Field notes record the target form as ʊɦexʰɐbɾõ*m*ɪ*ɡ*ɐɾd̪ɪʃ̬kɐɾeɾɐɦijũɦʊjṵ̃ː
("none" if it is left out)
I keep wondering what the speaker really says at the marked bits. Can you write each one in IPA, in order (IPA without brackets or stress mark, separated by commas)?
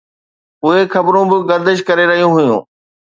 b, ɡ